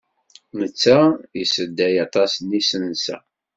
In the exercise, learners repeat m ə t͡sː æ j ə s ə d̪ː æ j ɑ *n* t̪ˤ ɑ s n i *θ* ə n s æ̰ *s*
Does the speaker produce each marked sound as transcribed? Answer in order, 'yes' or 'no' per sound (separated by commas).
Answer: no, no, no